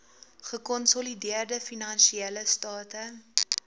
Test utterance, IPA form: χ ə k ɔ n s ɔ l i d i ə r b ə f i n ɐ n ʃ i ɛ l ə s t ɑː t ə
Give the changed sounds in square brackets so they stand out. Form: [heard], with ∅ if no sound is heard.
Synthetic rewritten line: χ ə k ɔ n s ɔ l i d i ə r [d] ə f i n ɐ n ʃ i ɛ l ə s t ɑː t ə